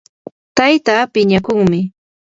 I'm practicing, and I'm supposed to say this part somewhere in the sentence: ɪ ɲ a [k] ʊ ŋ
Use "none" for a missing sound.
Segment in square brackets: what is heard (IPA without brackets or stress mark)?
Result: k